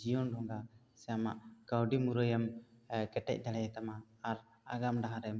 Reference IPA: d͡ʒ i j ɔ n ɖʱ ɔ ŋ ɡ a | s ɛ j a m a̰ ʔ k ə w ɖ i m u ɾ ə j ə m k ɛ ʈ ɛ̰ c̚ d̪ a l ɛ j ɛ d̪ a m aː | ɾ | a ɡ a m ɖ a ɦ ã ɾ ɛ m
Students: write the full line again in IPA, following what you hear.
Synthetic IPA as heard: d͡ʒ i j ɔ n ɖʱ ɔ ŋ ɡ a | s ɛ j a m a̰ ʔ k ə w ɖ i m u ɾ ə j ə m k ɛ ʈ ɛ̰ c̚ d̪ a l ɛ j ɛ t̪ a m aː | ɾ | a ɡ a m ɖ a ɦ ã ɾ ɛ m